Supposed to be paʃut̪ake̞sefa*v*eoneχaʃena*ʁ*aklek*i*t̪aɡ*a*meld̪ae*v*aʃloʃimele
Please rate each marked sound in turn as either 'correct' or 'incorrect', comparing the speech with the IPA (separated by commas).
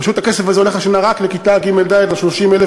incorrect, correct, correct, incorrect, correct